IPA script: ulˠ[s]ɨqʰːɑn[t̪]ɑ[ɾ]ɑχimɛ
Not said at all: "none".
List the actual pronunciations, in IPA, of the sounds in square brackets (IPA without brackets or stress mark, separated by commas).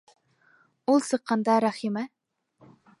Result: s, d̪, ɾ